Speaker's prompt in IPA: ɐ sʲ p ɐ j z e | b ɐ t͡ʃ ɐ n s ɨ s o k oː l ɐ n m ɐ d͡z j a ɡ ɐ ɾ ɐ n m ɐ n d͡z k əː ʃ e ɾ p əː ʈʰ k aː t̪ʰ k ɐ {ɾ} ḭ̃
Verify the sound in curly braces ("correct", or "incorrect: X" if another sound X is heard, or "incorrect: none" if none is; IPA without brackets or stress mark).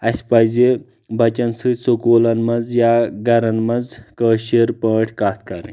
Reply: correct